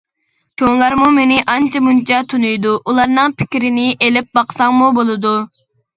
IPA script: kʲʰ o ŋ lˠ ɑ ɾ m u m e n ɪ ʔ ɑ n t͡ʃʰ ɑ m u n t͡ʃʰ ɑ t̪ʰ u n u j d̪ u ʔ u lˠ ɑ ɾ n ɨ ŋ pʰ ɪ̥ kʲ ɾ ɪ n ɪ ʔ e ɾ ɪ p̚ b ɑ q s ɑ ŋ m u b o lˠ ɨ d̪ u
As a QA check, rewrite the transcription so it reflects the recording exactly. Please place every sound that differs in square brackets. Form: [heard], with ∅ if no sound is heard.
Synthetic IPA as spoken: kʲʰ o ŋ lˠ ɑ ɾ m u m e n ɪ ʔ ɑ n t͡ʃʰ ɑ m u n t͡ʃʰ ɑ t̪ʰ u n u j d̪ u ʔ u lˠ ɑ ɾ n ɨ ŋ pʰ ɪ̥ kʲ ɾ ɪ n ɪ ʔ e [l] ɪ p̚ b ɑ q s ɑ ŋ m u b o lˠ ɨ d̪ u